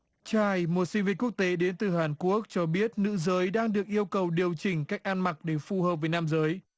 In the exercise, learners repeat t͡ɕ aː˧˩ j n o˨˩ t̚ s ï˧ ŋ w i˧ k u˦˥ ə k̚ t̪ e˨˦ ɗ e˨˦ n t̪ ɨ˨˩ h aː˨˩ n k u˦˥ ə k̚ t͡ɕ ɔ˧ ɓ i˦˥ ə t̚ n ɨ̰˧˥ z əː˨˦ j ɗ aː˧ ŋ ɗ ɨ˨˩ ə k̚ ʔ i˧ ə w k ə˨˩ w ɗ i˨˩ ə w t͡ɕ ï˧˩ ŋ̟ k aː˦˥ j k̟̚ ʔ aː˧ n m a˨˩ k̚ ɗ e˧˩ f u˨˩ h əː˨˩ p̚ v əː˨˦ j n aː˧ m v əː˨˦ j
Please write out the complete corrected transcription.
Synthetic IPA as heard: t͡ɕ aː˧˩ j m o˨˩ t̚ s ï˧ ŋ v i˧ k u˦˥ ə k̚ t̪ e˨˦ ɗ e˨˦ n t̪ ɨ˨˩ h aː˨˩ n k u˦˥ ə k̚ t͡ɕ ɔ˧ ɓ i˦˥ ə t̚ n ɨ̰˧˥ z əː˨˦ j ɗ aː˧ ŋ ɗ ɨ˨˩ ə k̚ ʔ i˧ ə w k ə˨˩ w ɗ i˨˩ ə w t͡ɕ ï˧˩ ŋ̟ k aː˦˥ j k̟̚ ʔ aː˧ n m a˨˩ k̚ ɗ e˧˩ f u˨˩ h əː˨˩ p̚ v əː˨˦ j n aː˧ m z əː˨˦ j